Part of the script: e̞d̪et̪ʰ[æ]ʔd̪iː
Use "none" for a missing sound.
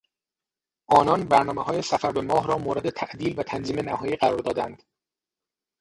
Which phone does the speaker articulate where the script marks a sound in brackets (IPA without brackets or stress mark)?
æ